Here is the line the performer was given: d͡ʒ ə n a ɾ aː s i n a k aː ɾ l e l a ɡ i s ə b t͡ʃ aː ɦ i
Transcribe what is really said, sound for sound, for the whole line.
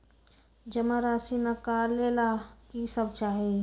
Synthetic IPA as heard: d͡ʒ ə m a ɾ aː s i n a k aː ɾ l e l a k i s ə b t͡ʃ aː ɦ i